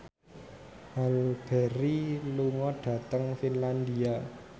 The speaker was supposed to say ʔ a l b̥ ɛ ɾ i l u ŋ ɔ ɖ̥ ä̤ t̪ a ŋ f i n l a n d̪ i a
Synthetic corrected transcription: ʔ a l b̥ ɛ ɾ i l u ŋ ɔ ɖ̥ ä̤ t̪ ə ŋ f i n l a n d̪ i a